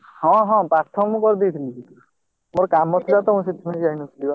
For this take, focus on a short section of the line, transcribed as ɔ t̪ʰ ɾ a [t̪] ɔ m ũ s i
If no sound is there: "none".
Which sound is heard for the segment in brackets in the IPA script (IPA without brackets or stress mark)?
t̪